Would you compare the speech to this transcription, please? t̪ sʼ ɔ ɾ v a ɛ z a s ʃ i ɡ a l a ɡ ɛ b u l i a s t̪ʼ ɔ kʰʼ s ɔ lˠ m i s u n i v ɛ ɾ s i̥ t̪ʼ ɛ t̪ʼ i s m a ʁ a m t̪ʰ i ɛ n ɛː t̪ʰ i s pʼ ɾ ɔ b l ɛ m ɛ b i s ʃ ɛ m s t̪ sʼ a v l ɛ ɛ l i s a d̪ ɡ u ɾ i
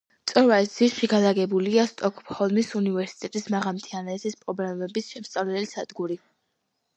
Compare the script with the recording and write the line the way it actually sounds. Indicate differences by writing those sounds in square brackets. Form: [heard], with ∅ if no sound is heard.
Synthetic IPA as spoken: t̪ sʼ ɔ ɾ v a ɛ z [i] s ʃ i ɡ a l a ɡ ɛ b u l i a s t̪ʼ ɔ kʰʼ [h] ɔ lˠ m i s u n i v ɛ ɾ s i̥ t̪ʼ ɛ t̪ʼ i s m a ʁ a m t̪ʰ i [a] n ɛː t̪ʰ i s pʼ ɾ ɔ b l ɛ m ɛ b i s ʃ ɛ m s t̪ sʼ a v l ɛ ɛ l i s a d̪ ɡ u ɾ i